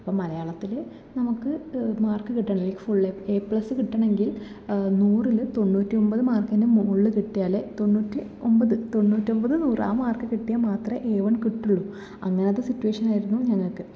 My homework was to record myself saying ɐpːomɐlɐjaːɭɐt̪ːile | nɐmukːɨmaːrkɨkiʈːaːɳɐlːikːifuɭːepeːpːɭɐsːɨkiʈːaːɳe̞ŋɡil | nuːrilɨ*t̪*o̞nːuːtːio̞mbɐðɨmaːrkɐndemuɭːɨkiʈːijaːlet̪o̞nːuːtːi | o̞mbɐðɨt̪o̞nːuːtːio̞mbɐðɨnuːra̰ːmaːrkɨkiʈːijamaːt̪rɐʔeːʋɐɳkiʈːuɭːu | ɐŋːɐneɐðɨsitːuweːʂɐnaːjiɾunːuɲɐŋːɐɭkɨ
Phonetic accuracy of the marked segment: correct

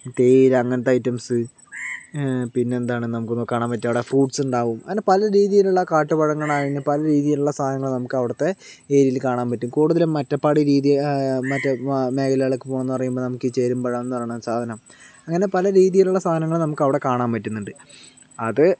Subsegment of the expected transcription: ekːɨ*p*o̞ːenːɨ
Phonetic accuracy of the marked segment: correct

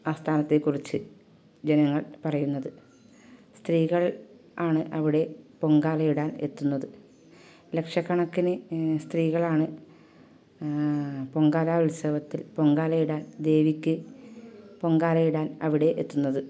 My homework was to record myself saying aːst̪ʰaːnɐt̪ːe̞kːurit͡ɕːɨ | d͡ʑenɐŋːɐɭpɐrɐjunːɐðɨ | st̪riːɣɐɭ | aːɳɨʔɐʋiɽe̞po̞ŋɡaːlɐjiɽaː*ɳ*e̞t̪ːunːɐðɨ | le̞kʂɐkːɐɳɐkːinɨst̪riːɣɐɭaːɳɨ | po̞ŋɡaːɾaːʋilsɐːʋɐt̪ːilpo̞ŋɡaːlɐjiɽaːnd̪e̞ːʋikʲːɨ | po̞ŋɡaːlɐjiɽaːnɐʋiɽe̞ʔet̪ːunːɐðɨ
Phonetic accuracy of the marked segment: incorrect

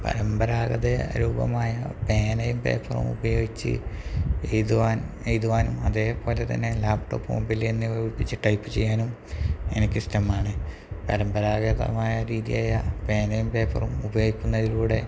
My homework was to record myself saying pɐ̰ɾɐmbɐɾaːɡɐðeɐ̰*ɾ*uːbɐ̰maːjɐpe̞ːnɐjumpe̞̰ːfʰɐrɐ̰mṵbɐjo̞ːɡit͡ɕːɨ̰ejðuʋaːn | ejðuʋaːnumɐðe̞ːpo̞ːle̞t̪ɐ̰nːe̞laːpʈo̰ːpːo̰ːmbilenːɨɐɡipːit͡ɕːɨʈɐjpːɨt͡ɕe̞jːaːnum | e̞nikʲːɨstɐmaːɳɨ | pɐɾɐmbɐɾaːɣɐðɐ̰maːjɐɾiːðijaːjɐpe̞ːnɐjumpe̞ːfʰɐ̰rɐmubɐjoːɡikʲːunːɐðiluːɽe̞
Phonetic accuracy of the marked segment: correct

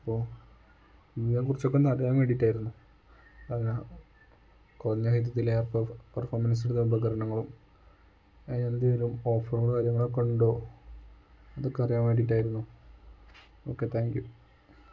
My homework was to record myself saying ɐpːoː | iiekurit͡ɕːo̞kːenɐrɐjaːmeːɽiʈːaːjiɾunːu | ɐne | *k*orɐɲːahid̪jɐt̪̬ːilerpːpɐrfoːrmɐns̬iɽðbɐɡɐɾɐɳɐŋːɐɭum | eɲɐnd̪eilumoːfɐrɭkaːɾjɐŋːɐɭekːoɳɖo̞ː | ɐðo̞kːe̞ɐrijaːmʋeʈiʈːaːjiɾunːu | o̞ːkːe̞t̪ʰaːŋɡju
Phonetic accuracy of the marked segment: correct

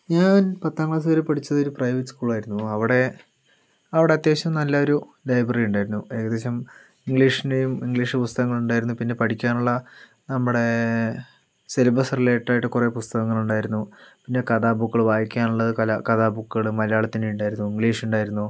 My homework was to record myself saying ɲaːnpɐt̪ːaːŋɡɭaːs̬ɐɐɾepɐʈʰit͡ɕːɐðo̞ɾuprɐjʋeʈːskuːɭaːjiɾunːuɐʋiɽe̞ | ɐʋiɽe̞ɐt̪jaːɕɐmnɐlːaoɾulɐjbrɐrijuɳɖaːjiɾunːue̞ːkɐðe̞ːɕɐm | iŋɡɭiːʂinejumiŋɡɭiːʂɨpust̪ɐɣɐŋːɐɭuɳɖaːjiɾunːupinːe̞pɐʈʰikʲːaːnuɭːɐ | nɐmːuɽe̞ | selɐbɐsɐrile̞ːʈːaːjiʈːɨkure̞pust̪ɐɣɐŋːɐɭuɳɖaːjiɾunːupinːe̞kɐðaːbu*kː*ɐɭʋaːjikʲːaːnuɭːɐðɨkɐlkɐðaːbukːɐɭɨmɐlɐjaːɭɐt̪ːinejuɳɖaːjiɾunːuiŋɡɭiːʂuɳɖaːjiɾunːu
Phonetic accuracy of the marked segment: correct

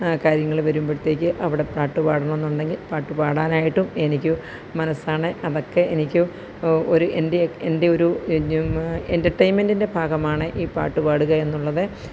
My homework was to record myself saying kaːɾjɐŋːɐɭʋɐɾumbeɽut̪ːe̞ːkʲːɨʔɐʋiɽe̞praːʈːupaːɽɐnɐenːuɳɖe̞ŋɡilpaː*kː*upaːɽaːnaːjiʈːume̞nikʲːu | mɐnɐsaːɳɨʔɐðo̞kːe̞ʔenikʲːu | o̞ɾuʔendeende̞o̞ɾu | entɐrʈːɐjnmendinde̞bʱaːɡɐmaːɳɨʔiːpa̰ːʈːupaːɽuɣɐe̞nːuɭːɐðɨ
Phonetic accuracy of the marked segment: incorrect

